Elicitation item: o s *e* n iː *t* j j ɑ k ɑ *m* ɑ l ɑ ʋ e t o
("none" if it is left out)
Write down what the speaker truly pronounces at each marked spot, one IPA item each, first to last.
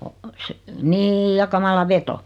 e, none, m

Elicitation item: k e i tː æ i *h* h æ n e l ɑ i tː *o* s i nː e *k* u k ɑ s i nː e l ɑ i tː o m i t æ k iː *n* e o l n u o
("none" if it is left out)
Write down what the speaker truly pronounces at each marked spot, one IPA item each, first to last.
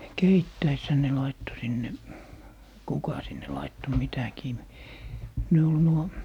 s, o, k, n

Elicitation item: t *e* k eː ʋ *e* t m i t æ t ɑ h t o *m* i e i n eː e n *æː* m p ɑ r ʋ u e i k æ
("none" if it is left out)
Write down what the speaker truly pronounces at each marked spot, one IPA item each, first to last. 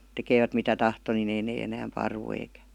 e, æ, n, æː

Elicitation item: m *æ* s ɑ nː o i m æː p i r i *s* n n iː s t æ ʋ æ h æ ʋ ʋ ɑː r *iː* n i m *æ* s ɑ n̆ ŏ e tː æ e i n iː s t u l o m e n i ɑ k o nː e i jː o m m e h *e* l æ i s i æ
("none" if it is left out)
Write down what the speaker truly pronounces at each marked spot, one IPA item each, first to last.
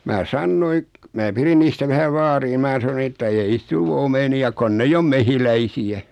æː, none, iː, æː, i

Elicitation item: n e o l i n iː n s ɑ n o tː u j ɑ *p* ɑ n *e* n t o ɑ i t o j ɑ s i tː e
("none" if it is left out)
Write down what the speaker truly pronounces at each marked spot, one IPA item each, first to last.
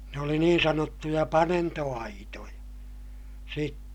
p, e

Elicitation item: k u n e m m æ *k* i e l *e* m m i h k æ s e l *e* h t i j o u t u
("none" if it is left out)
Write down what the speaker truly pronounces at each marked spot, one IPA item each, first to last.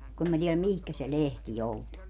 t, æ, e

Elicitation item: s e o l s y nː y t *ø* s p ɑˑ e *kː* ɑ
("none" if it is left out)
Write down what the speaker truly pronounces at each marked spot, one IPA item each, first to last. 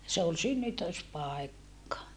ø, kː

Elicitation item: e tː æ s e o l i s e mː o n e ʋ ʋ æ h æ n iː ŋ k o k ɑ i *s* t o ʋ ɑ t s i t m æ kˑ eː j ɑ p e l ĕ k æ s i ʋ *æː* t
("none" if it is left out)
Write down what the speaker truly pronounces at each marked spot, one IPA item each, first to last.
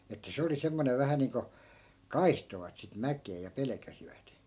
h, æ

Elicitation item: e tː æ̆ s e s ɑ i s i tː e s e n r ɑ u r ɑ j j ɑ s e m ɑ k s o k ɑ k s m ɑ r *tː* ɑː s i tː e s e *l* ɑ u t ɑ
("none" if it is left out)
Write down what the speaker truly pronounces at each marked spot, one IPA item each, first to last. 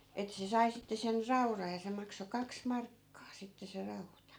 kː, r

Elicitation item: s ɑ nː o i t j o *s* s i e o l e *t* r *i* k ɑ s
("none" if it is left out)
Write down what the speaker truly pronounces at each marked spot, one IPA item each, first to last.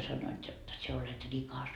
t, t, i

